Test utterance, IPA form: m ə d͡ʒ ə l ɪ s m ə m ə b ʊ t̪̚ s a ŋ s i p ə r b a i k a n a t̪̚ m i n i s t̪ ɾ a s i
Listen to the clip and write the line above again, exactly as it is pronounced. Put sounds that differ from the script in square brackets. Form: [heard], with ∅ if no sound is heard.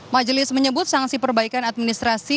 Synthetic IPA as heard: m [a] d͡ʒ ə l ɪ s m ə [ɲ] ə b ʊ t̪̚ s a ŋ s i p ə r b a i k a n a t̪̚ m i n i s t̪ ɾ a s i